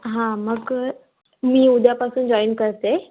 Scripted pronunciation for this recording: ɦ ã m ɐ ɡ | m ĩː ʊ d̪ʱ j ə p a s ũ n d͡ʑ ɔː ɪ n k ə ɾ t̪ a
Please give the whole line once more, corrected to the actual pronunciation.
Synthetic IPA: ɦ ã m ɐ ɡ | m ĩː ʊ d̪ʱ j a p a s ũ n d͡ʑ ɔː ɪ n k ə ɾ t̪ e

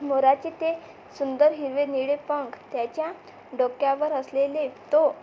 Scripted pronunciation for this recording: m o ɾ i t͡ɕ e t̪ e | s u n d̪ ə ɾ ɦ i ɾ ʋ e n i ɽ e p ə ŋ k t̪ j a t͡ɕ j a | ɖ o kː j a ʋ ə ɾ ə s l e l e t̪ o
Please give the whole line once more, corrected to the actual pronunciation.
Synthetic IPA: m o ɾ a t͡ɕ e t̪ e | s u n d̪ ə ɾ ɦ i ɾ ʋ e n i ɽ e p ə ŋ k t̪ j a t͡ɕ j a | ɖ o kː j a ʋ ə ɾ ə s l e l e t̪ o

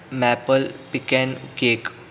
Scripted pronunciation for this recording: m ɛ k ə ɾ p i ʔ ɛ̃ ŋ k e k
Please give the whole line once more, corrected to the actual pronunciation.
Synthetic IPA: m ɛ p ə l p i k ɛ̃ n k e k

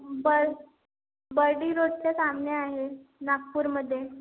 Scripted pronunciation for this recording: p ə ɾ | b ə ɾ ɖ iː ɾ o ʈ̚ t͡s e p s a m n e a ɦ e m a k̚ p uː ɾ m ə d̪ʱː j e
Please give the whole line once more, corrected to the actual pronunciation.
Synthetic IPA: b ə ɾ | b ə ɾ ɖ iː ɾ o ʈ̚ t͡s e s a m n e a ɦ e n a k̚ p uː ɾ m ə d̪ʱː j e

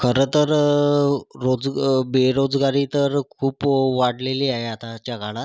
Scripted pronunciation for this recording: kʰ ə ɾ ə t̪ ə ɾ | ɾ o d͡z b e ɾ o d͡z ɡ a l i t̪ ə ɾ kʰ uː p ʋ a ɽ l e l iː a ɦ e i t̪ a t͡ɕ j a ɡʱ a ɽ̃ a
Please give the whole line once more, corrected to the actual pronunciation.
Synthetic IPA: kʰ ə ɾ ə t̪ ə ɾ | ɾ o d͡z b e ɾ o d͡z ɡ a ɾ i t̪ ə ɾ kʰ uː p ʋ a ɽ l e l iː a ɦ e a t̪ a t͡ɕ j a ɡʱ a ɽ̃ a

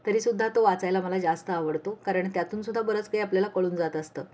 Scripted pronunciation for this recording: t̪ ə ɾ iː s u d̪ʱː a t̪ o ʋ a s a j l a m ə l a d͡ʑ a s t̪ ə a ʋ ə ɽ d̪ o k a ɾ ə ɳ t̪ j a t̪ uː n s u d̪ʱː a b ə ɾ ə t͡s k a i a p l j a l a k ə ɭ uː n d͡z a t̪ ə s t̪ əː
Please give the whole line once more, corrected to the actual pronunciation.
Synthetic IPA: t̪ ə ɾ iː s u d̪ʱː a t̪ o ʋ a t͡s a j l a m ə l a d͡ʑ a s t̪ ə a ʋ ə ɽ t̪ o k a ɾ ə ɳ t̪ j a t̪ uː n s u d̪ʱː a b ə ɾ ə t͡s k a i a p l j a l a k ə ɭ uː n d͡z a t̪ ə s t̪ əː

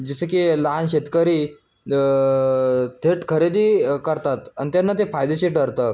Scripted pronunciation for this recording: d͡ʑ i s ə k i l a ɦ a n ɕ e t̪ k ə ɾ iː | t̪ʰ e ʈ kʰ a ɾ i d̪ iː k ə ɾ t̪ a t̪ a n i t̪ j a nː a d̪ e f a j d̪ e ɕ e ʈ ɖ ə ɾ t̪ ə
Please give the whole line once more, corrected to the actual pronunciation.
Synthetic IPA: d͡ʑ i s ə k i l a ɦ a n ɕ e t̪ k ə ɾ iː | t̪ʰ e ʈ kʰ ə ɾ e d̪ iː k ə ɾ t̪ a t̪ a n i t̪ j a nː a t̪ e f a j d̪ e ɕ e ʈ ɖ ə ɾ t̪ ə

